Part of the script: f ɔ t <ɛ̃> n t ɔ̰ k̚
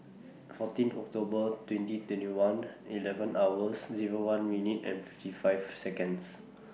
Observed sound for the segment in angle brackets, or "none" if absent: ĩ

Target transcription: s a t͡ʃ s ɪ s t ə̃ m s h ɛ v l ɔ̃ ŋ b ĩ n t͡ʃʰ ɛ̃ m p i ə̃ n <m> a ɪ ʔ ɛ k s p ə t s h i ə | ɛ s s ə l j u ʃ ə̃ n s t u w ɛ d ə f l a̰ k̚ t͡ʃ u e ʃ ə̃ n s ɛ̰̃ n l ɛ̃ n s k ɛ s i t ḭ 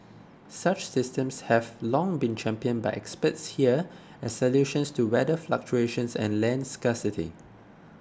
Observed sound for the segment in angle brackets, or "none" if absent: b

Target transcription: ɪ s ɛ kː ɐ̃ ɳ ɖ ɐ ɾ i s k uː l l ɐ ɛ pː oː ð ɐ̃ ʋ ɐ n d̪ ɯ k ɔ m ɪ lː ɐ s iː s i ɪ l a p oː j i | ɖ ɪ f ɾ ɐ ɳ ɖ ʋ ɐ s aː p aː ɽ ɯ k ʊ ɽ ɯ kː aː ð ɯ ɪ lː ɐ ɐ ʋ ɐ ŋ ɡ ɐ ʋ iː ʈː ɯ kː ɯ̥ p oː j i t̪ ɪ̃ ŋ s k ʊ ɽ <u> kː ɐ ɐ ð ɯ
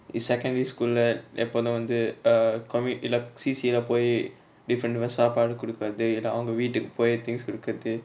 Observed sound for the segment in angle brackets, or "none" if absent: ɯ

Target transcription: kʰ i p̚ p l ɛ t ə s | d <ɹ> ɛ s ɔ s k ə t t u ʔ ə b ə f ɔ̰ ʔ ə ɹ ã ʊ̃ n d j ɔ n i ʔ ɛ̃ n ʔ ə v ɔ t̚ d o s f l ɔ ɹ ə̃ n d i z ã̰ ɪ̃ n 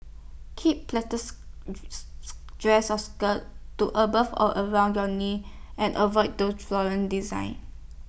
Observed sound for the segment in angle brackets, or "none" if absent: ɹ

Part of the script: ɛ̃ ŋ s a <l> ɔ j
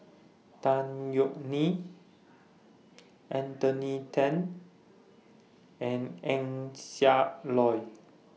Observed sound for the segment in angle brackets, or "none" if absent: l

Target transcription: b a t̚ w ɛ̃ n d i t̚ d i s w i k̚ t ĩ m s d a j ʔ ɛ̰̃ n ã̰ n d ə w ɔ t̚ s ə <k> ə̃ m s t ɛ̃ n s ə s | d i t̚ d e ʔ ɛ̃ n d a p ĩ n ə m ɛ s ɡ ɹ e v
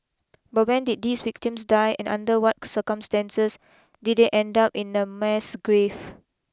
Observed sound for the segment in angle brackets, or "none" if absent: k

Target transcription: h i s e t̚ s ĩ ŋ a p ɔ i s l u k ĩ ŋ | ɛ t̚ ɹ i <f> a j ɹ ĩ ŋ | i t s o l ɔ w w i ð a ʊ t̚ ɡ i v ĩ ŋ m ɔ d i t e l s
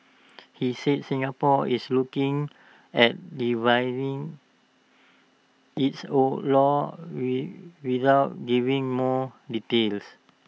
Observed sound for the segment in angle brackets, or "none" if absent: v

